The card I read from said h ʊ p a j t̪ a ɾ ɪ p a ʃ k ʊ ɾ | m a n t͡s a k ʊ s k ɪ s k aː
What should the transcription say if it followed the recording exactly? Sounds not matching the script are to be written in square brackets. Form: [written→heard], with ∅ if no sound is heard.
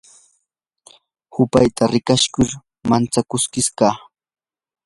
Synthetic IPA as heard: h ʊ p a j t̪ a ɾ ɪ [p→k] a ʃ k ʊ ɾ | m a n t͡s a k ʊ s k ɪ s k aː